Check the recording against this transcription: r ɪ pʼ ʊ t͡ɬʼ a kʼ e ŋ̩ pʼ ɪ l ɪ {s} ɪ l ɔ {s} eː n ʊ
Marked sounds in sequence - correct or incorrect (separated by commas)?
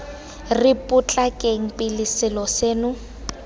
correct, correct